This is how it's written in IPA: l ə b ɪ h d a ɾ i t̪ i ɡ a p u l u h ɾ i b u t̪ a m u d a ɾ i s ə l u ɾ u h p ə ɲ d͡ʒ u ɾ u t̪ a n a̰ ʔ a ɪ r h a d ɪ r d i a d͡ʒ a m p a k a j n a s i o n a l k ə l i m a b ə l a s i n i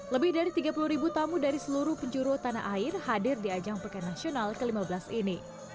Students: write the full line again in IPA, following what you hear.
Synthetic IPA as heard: l ə b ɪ h d a ɾ i t̪ i ɡ a p u l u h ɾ i b u t̪ a m u d a ɾ i s ə l u ɾ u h p ə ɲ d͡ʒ u ɾ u t̪ a n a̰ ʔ a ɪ r h a d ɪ r d i a d͡ʒ a ŋ p a k a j n a s i o n a l k ə l i m a b ə l a s i n i